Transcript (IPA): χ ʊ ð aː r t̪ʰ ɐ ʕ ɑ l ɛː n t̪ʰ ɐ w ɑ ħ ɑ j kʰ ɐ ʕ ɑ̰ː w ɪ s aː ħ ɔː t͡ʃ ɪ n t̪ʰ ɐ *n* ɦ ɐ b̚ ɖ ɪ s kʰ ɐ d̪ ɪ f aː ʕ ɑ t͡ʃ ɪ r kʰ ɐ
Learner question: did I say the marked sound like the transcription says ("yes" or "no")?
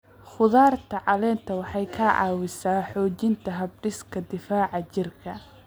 no